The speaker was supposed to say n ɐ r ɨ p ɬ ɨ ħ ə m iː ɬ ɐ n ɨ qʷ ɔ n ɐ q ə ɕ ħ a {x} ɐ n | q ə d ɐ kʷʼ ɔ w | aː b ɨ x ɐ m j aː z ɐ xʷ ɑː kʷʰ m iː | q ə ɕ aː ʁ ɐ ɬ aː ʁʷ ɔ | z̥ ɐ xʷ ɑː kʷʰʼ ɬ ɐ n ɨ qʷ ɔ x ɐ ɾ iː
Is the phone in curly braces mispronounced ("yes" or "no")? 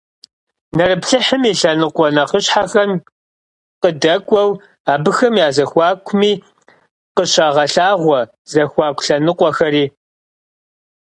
no